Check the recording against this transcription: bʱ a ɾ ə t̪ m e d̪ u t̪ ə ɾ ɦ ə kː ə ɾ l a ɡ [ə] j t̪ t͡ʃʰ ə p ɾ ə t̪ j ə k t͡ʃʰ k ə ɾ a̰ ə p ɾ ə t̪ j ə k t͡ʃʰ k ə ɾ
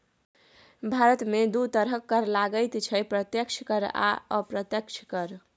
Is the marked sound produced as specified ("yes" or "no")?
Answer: yes